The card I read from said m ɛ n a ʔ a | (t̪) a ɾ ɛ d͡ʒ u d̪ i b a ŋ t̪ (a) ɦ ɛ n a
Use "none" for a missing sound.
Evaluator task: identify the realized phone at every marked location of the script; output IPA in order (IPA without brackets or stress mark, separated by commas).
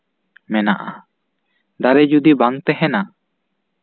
d̪, ɛ